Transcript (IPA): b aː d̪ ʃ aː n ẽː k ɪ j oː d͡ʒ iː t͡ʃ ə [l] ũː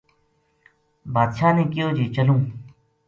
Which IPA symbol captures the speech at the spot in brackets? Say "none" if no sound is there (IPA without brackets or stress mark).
l